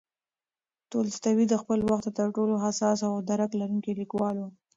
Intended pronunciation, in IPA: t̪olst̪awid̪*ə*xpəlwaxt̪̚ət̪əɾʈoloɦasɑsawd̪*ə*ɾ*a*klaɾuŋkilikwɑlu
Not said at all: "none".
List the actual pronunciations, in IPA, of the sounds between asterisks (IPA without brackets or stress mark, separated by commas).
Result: ə, a, a